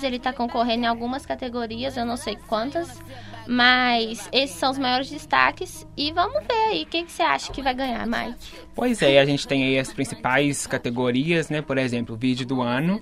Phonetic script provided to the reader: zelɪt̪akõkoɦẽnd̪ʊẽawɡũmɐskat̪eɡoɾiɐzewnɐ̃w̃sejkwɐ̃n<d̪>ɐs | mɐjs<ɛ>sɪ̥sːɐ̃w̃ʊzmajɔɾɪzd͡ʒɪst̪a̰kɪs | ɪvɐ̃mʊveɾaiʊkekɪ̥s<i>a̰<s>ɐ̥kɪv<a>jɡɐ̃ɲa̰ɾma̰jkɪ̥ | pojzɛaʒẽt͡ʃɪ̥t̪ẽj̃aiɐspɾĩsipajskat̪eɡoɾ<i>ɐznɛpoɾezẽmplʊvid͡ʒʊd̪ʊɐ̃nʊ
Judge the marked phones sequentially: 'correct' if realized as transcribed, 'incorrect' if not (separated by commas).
incorrect, incorrect, incorrect, incorrect, correct, correct